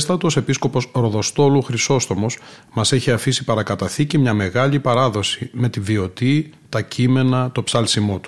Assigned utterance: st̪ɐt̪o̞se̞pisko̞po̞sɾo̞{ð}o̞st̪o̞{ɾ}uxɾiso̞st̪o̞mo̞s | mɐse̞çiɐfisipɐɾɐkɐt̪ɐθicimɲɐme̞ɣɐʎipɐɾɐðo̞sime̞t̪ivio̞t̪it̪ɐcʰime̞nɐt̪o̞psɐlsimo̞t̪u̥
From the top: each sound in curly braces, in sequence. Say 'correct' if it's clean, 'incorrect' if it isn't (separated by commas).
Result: correct, incorrect